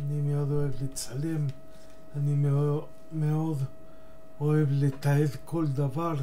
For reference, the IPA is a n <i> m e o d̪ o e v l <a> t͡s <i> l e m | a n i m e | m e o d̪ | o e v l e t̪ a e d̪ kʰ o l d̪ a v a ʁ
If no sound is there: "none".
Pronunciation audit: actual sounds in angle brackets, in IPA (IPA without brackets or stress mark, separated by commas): i, e, a